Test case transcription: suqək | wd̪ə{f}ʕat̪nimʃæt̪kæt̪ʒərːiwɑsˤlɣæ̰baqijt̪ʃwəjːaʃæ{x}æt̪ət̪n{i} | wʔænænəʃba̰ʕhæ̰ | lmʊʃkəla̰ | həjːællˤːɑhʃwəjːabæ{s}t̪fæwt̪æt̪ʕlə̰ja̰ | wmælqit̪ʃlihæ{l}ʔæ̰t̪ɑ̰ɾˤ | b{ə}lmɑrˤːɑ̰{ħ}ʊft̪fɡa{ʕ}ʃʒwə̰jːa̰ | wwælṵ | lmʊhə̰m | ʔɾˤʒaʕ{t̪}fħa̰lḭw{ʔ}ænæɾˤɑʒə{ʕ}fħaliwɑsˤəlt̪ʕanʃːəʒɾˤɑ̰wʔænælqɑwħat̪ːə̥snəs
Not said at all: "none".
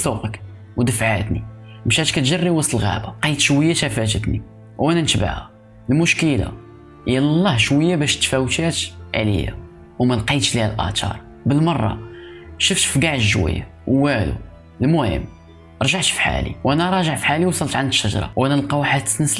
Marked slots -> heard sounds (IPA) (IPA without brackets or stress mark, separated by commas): f, f, i, ʃ, l, ə, ʃ, ʕ, t̪, ʔ, ʕ